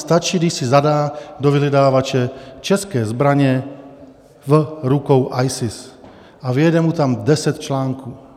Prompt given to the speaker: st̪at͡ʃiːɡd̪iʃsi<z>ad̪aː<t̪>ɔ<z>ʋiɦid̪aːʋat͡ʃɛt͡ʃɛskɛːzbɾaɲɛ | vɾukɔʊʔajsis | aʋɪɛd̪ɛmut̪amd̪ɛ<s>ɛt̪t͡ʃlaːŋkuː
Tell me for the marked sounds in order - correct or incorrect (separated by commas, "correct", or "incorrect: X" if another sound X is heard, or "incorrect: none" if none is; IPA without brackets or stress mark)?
correct, incorrect: d̪, incorrect: none, correct